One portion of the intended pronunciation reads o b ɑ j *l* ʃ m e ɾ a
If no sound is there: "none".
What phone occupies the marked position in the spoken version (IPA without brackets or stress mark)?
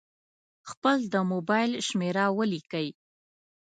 l